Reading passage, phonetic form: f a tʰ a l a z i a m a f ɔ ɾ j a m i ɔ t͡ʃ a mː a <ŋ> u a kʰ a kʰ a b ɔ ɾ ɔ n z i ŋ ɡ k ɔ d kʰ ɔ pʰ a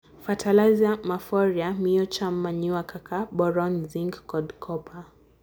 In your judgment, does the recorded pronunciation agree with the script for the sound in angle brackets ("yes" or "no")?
no